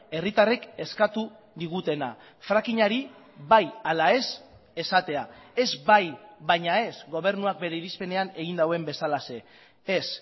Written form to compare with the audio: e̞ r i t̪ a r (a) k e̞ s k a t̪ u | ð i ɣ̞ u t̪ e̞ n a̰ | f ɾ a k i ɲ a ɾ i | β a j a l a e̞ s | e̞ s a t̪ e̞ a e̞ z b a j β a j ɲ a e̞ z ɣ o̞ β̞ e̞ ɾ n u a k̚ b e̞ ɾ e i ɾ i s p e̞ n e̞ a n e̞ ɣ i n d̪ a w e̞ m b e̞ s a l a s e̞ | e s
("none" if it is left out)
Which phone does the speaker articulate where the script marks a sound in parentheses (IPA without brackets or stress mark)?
e